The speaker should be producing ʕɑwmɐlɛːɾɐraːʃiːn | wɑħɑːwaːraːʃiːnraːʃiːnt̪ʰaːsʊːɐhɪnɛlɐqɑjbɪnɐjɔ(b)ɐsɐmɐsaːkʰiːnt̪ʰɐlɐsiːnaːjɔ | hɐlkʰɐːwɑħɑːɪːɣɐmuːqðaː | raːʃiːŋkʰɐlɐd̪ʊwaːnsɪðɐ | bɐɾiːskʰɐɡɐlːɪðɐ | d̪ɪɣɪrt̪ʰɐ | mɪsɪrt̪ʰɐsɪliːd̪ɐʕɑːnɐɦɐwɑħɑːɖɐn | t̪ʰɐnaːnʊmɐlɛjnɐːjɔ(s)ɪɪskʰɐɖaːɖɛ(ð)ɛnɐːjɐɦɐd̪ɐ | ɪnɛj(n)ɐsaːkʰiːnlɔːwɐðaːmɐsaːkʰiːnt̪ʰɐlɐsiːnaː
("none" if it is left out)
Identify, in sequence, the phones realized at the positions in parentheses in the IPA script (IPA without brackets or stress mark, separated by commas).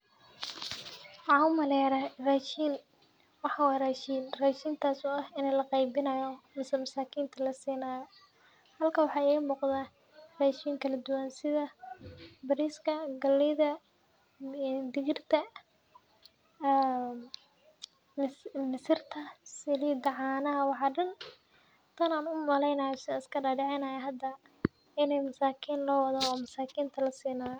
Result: m, s, ʕ, m